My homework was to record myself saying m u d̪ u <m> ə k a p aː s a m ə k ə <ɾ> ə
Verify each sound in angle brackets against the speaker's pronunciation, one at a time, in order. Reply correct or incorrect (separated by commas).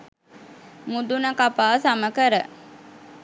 incorrect, correct